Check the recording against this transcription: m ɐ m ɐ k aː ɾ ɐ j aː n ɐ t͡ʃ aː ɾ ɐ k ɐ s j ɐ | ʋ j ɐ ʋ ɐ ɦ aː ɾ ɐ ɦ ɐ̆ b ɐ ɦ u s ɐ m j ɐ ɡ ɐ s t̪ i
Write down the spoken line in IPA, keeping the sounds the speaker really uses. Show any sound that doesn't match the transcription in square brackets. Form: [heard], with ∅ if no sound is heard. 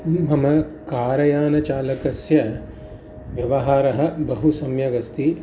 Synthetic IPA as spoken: m ɐ m ɐ k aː ɾ ɐ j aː n ɐ t͡ʃ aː [l] ɐ k ɐ s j ɐ | ʋ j ɐ ʋ ɐ ɦ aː ɾ ɐ ɦ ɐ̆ b ɐ ɦ u s ɐ m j ɐ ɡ ɐ s t̪ i